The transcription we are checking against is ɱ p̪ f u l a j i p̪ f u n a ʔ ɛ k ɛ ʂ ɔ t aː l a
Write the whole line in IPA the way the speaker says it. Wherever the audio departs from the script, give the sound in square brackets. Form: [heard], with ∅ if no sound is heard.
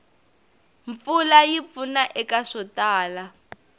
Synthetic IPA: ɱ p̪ f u l a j i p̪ f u n a ʔ ɛ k [a] ʂ ɔ t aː l a